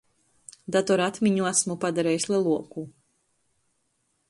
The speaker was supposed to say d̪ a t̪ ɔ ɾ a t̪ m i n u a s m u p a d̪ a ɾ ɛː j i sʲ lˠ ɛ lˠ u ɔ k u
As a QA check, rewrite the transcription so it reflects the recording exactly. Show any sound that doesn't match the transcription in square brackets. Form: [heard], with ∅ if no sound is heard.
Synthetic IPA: d̪ a t̪ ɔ ɾ a t̪ m i [ɲ] u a s m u p a d̪ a ɾ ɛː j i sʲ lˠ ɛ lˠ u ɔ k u